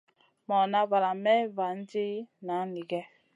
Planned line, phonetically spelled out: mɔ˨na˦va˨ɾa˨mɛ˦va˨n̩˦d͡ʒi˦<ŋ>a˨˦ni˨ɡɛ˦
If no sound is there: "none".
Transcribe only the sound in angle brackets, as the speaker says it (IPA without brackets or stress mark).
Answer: n